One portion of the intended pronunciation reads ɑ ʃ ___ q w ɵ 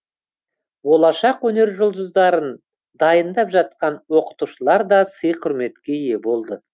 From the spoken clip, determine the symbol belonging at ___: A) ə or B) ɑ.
B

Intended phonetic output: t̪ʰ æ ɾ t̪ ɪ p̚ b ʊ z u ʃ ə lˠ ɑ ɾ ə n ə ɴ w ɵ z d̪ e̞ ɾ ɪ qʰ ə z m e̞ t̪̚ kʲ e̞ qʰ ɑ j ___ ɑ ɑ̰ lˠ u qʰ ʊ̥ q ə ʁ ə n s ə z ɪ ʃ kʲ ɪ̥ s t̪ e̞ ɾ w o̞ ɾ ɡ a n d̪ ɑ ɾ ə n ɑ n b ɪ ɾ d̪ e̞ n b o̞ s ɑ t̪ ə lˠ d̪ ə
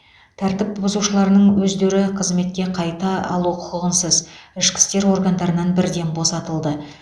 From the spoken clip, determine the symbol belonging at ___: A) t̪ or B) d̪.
A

